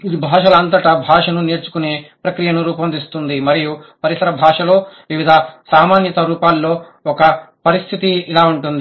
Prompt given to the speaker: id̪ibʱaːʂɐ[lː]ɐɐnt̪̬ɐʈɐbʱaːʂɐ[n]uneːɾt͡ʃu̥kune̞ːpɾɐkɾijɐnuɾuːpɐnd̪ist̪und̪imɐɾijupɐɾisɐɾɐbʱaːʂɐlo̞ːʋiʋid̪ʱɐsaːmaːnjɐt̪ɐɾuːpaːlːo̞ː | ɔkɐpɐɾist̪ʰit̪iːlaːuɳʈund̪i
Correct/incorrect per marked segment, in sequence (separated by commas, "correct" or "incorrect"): incorrect, correct